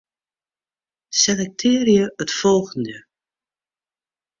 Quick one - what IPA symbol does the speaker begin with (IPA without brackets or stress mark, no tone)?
s